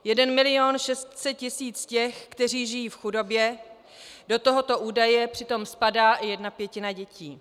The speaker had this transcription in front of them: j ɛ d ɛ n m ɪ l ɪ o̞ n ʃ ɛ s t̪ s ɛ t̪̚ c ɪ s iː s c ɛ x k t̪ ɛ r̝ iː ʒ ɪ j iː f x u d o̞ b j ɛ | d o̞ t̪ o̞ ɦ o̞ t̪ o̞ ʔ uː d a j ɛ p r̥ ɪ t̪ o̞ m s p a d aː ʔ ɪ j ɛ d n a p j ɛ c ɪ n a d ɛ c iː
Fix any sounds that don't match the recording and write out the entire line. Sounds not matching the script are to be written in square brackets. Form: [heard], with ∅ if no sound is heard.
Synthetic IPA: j ɛ d ɛ n m ɪ l ɪ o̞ n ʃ ɛ s t̪ s ɛ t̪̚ c ɪ s iː [t͡s] c ɛ x k t̪ ɛ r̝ iː ʒ ɪ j iː f x u d o̞ b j ɛ | d o̞ t̪ o̞ ɦ o̞ t̪ o̞ ʔ uː d a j ɛ p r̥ ɪ t̪ o̞ m s p a d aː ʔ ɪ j ɛ d n a p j ɛ c ɪ n a [ɟ] ɛ c iː